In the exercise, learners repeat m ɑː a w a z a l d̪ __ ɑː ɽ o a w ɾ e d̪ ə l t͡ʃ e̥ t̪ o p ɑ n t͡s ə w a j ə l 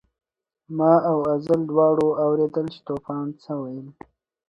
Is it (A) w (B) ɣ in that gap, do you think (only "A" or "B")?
A